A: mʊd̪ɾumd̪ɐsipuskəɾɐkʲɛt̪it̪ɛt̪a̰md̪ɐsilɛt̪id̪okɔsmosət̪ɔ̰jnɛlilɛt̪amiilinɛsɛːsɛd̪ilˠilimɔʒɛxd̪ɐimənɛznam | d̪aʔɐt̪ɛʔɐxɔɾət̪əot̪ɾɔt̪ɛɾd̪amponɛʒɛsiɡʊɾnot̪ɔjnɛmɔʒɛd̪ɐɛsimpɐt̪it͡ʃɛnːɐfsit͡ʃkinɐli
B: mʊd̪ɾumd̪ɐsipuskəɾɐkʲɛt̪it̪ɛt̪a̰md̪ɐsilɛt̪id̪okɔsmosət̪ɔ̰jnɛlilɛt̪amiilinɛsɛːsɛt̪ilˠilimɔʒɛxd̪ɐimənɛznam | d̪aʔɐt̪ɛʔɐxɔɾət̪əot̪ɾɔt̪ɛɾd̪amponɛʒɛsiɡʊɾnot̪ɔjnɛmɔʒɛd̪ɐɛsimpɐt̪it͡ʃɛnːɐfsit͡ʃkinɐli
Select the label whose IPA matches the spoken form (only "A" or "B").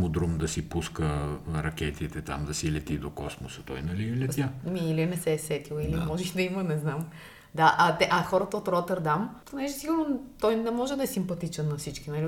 B